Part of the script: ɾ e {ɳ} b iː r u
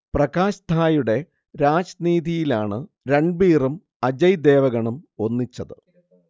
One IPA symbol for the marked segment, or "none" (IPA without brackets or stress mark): ɳ